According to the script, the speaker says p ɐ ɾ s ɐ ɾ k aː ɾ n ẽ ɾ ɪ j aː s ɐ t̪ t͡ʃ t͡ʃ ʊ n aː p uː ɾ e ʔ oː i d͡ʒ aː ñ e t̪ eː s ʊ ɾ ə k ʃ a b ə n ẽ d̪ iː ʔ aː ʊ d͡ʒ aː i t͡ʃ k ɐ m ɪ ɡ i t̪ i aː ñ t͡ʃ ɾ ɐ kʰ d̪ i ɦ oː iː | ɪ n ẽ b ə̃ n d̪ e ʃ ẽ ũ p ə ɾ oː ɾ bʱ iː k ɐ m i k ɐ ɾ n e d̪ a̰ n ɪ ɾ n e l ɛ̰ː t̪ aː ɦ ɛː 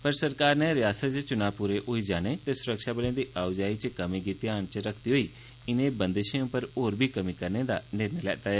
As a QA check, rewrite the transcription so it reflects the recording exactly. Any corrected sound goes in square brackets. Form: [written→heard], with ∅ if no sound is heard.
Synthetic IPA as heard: p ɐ ɾ s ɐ ɾ k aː ɾ n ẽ ɾ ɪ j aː s [ɐ→ə] t̪ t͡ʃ t͡ʃ ʊ n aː p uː ɾ e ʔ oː i d͡ʒ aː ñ e t̪ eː s ʊ ɾ ə k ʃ a b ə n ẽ d̪ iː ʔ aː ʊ d͡ʒ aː i t͡ʃ k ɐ m [ɪ→i] ɡ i t̪ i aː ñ t͡ʃ ɾ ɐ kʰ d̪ i ɦ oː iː | ɪ n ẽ b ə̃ n d̪ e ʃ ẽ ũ p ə ɾ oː ɾ bʱ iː k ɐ m i k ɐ ɾ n e d̪ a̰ n ɪ ɾ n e l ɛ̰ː t̪ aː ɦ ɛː